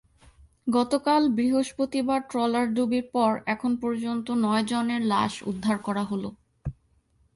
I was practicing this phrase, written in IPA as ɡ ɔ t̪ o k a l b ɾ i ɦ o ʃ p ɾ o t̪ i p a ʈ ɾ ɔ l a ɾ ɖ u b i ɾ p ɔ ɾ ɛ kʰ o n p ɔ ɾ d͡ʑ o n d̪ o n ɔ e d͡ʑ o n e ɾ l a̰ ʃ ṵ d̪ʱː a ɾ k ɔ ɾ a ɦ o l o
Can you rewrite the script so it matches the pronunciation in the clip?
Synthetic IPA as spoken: ɡ ɔ t̪ o k a l b ɾ i ɦ o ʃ p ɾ o t̪ i b a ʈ ɾ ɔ l a ɾ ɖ u b i ɾ p ɔ ɾ ɛ kʰ o n p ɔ ɾ d͡ʑ o n t̪ o n ɔ e d͡ʑ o n e ɾ l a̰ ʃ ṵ d̪ʱː a ɾ k ɔ ɾ a ɦ o l o